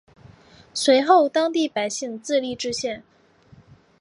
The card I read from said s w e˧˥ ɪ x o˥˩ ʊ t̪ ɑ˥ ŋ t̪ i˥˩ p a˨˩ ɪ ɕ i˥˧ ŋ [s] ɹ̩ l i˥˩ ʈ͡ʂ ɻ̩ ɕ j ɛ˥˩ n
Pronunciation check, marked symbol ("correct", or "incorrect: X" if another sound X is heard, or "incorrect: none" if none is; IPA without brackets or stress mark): incorrect: t͡s